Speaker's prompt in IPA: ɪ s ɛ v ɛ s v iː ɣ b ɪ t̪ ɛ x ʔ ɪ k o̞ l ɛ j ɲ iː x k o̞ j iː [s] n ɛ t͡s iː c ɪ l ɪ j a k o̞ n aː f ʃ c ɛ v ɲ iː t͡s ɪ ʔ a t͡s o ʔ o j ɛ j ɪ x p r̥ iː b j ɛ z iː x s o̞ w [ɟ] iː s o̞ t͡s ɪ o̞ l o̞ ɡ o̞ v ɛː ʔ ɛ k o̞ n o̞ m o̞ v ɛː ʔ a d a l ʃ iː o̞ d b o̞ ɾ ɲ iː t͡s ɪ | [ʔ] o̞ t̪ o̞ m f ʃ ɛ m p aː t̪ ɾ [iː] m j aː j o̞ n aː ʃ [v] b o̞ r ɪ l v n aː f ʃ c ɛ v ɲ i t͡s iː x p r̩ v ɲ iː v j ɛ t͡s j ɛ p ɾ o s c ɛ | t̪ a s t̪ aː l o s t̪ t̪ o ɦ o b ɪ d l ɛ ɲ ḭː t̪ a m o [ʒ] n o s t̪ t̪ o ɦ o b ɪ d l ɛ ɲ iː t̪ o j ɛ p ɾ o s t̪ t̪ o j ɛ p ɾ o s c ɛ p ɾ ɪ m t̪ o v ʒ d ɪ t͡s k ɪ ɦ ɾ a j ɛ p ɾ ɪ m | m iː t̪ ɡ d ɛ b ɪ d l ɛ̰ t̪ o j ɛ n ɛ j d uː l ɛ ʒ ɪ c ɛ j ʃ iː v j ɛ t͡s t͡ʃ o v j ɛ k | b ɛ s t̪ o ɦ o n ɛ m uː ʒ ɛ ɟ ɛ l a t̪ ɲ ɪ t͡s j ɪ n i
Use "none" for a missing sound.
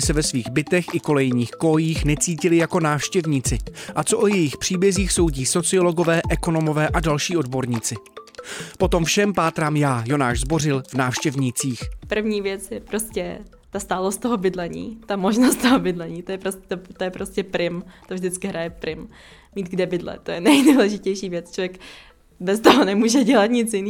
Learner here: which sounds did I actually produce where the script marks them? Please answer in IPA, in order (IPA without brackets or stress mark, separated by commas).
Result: x, ɟ, p, aː, z, ʒ